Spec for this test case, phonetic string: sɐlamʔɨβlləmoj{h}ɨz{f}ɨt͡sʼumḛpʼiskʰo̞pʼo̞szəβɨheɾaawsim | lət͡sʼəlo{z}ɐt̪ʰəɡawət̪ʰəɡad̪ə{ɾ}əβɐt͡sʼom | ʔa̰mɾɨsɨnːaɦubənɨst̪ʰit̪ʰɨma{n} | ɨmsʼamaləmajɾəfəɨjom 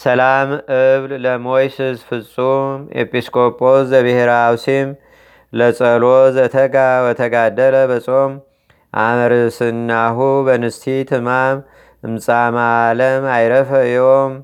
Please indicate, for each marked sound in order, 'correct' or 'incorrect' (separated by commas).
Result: incorrect, correct, correct, incorrect, incorrect